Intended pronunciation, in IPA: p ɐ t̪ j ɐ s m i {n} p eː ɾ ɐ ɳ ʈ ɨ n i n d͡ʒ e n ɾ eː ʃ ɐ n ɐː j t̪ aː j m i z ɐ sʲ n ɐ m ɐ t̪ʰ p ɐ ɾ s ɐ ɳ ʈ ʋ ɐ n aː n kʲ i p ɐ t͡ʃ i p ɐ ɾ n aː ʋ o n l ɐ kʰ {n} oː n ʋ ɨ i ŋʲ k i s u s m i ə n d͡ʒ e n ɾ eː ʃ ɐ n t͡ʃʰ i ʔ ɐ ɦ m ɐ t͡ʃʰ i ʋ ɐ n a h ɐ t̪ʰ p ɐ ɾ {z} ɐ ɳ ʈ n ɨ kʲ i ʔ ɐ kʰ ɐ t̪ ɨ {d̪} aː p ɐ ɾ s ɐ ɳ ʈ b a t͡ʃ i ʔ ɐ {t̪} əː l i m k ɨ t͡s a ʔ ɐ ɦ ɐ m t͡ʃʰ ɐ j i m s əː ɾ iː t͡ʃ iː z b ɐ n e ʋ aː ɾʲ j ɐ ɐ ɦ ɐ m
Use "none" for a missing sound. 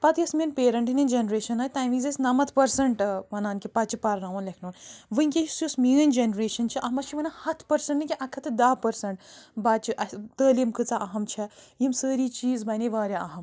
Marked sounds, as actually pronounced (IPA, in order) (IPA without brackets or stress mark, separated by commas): n, n, s, d̪, t̪